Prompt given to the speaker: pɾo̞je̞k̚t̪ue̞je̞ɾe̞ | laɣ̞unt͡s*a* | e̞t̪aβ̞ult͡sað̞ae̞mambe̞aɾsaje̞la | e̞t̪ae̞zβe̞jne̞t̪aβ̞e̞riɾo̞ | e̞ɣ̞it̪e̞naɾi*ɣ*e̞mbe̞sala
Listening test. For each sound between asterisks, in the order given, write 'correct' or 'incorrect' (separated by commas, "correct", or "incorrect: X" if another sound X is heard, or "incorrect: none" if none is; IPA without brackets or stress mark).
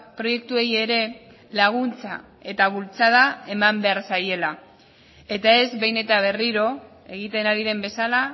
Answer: correct, incorrect: ð